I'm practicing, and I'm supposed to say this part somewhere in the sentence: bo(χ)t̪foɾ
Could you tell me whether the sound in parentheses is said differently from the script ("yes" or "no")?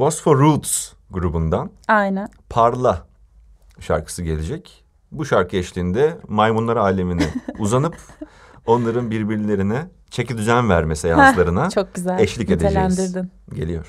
yes